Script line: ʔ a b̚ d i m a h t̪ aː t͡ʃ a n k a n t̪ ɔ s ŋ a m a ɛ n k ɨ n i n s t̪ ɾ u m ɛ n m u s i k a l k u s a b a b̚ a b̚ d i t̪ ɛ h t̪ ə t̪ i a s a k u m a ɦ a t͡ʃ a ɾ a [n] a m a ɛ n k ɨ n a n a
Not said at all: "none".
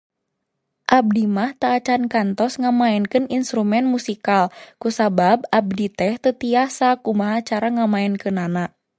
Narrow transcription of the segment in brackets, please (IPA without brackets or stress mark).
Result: ŋ